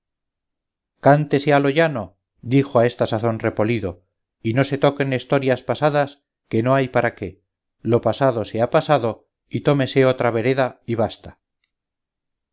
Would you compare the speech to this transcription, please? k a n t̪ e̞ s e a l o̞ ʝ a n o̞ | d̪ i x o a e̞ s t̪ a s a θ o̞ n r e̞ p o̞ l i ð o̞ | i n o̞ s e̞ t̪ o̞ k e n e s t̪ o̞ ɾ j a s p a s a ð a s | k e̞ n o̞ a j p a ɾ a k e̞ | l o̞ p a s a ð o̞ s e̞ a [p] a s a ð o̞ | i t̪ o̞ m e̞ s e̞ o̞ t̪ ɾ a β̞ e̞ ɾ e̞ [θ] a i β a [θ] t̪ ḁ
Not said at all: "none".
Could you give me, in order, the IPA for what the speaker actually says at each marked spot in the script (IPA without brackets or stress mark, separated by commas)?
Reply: p, ð, s